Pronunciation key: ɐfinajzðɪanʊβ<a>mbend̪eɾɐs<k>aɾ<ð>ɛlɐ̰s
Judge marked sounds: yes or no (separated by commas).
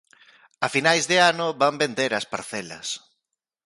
yes, no, no